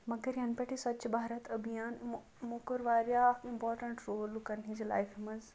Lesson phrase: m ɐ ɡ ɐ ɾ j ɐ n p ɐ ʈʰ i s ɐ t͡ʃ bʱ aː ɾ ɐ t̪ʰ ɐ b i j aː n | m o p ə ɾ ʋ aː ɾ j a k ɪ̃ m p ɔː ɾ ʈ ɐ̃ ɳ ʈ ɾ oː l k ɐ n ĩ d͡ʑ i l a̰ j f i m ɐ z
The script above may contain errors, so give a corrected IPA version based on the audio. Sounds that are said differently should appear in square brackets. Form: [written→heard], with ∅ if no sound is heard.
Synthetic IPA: m ɐ ɡ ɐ ɾ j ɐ n p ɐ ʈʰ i s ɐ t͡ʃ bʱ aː ɾ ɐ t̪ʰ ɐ b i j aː n | m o [p→k] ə ɾ ʋ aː ɾ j a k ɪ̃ m p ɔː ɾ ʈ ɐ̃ ɳ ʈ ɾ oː l k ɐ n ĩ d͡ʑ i l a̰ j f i m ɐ z